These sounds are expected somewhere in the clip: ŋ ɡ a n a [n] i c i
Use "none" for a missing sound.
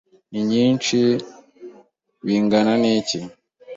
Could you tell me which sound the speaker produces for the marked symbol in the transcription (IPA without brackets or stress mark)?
n